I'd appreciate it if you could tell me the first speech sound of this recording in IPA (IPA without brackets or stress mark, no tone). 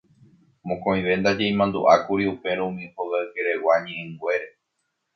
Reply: m